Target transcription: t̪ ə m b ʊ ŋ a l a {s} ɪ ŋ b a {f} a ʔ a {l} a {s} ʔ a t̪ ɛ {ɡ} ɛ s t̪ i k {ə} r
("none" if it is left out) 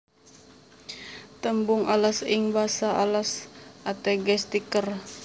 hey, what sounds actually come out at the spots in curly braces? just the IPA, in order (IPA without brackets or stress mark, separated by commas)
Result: s, s, l, s, ɡ, ə